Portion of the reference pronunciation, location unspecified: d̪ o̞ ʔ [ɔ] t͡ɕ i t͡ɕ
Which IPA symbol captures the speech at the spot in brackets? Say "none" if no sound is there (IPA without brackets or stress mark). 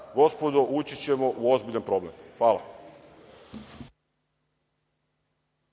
u